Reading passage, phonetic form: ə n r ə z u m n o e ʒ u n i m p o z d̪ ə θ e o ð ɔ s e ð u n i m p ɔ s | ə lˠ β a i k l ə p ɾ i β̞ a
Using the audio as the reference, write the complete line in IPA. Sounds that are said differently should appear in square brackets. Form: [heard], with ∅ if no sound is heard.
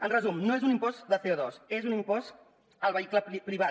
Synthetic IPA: ə n r ə z u m n o e [z] u n i m p [ɔ] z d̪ ə θ e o ð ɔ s e [z] u n i m p ɔ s | ə lˠ β [ə] i k l ə p ɾ i β̞ a

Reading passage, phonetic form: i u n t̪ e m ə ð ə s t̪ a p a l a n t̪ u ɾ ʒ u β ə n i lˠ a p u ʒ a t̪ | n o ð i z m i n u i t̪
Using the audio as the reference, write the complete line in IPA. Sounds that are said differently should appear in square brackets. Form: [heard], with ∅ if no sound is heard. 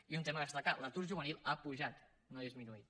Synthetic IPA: i u n t̪ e m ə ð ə s t̪ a [k] a l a [∅] t̪ u ɾ ʒ u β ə n i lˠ a p u ʒ a t̪ | n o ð i z m i n u i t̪

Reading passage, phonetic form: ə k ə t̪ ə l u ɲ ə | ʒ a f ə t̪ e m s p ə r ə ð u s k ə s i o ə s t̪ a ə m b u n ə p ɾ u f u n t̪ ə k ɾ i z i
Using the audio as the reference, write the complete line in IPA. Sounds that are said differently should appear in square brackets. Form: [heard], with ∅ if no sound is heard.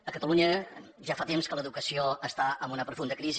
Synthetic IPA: ə k ə t̪ ə l u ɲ ə | ʒ a f [a] t̪ e m s [k] ə [l] ə ð u [∅] k ə s i o ə s t̪ a ə m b u n ə p ɾ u f u n [d̪] ə k ɾ i z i

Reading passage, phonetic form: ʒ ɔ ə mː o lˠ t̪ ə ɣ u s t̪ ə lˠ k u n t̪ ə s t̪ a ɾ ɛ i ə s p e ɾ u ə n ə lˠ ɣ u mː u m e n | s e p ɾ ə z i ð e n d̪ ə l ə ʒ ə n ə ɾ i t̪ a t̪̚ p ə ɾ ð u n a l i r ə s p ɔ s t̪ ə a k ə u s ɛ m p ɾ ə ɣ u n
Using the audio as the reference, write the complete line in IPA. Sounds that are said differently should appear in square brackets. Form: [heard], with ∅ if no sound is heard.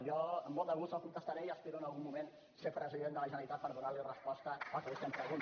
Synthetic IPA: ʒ ɔ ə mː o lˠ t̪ ə ɣ u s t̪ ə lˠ k u n t̪ ə s t̪ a ɾ ɛ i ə s p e ɾ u ə n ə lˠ ɣ u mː u m e n | s e p ɾ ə z i ð e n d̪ ə l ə ʒ ə n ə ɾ i t̪ a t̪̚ p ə ɾ ð u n a l i r ə s p ɔ s t̪ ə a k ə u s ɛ m p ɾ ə ɣ u n

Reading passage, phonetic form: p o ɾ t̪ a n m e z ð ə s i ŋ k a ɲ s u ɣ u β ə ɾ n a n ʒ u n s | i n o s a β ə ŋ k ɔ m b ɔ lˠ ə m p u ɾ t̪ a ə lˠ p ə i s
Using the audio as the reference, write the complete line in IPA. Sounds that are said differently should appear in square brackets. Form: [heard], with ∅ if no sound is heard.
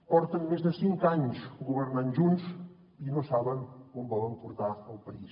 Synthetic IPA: p [ɔ] ɾ t̪ [ə] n m e z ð ə s i ŋ k a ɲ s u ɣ u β ə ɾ n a n ʒ u n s | i n o s a β ə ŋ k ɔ m b ɔ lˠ ə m p u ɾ t̪ a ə lˠ p ə i s

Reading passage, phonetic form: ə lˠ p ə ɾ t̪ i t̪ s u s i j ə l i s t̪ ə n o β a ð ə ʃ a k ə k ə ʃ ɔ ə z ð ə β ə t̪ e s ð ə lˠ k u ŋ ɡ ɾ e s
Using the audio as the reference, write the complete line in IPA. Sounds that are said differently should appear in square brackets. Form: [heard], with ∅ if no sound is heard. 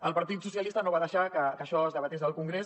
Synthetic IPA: ə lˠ p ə ɾ t̪ i t̪ s u s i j ə l i s t̪ ə n o β a ð ə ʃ a k ə k ə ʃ ɔ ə z ð ə β ə t̪ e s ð ə lˠ k u ŋ ɡ ɾ e s

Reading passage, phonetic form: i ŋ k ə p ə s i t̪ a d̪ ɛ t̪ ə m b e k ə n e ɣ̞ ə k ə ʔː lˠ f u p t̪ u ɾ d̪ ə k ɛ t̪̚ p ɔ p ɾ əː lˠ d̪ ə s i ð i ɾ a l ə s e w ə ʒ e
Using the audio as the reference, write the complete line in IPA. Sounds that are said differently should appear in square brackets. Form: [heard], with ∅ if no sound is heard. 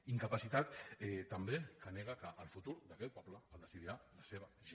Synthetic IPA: i ŋ k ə p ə s i t̪ a [t̪] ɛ t̪ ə m b e k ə n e ɣ̞ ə k ə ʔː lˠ f u [∅] t̪ u ɾ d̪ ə k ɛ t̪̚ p ɔ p [l] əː lˠ d̪ ə s i ð i ɾ a l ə s e [β] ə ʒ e

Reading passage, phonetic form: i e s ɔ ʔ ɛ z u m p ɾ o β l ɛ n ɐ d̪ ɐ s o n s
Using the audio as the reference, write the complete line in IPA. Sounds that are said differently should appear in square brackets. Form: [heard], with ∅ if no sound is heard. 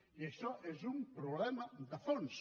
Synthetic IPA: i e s ɔ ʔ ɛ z u m p ɾ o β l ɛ [m] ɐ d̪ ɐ [f] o n s

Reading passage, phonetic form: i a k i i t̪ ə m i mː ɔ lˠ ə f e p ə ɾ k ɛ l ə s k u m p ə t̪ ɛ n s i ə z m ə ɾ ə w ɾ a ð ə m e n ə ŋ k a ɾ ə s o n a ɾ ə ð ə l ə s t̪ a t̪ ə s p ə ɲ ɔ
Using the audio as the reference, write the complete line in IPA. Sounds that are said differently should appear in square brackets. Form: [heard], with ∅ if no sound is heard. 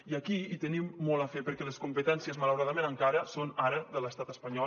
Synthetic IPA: i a k i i t̪ ə [n] i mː ɔ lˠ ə f e p ə ɾ k ɛ l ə s k u m p ə t̪ ɛ n s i ə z m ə [l] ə w ɾ a ð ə m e n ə ŋ k a ɾ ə s o n a ɾ ə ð ə l ə s t̪ a t̪ ə s p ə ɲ ɔ

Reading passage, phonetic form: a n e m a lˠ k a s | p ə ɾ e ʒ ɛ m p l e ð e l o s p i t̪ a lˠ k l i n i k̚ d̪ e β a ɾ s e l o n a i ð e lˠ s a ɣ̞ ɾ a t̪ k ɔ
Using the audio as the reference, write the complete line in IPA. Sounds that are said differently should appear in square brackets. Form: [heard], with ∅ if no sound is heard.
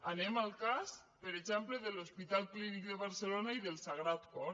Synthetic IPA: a n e m a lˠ k a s | p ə ɾ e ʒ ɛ m p l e ð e l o s p i t̪ a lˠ k l i n i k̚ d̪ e β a ɾ s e l o n a i ð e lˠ s a ɣ̞ ɾ a t̪ k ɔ

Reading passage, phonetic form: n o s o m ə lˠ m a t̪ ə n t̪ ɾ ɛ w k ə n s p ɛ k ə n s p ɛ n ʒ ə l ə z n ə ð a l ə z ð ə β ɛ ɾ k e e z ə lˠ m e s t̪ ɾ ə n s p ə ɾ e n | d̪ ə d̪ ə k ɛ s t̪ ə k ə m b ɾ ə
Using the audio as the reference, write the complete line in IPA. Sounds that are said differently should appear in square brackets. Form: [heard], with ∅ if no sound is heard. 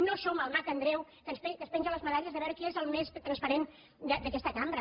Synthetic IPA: n o s o m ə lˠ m a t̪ ə n [d̪] ɾ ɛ w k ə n s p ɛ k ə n s p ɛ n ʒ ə l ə z [m] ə ð a [ʎ] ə z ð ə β ɛ ɾ k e e z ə lˠ m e s t̪ ɾ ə n s p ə ɾ e n | d̪ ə d̪ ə k ɛ s t̪ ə k [a] m b ɾ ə

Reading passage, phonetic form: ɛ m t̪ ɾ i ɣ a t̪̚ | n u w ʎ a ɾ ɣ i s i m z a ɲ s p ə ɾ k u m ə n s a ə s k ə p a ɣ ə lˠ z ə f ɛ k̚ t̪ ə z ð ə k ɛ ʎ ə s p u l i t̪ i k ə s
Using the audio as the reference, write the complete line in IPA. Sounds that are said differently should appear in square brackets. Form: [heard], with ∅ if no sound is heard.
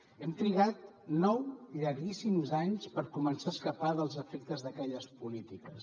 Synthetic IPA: ɛ m t̪ ɾ i ɣ a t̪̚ | n [ɔ] w ʎ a ɾ ɣ i s i m z a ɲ s p ə ɾ k u m ə n s a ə s k ə p a [ð] ə lˠ z ə f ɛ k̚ t̪ ə z ð ə k ɛ ʎ ə s p u l i t̪ i k ə s

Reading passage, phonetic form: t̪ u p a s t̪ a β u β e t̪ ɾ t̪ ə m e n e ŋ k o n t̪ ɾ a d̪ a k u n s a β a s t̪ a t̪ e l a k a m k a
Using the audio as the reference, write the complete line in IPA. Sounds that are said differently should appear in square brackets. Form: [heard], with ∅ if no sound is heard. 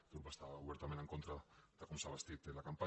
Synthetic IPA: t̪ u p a s t̪ a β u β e [∅] ɾ t̪ [a] m e n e ŋ k o n t̪ ɾ a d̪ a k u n s a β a s t̪ [i] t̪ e l a k a m [p] a

